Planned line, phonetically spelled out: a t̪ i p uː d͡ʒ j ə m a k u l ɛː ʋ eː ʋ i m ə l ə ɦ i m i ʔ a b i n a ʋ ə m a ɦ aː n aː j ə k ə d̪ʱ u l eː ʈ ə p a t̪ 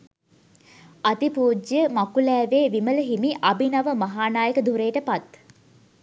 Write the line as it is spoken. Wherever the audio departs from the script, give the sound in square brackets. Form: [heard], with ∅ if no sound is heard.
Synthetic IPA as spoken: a t̪ i p uː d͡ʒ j ə m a k u l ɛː ʋ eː ʋ i m ə l ə ɦ i m i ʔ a b i n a ʋ ə m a ɦ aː n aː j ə k ə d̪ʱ u [ɾ] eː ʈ ə p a t̪